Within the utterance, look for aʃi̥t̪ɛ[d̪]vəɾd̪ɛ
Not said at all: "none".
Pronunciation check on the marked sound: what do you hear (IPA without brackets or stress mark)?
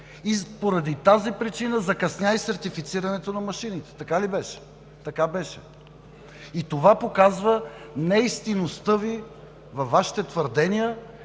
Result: t̪